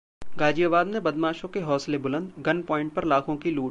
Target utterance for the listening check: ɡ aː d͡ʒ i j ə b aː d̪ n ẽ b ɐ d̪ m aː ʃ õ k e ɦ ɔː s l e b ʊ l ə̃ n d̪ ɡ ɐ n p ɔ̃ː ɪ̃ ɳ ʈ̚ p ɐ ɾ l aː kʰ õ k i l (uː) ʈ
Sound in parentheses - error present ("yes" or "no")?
no